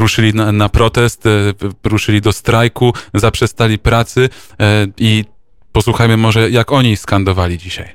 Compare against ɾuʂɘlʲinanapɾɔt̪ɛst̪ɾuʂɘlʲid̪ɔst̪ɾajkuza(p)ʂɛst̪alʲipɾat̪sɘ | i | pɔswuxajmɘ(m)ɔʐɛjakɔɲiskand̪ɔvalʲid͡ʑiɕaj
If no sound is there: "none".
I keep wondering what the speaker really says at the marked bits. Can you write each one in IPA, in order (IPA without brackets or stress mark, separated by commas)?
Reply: p, m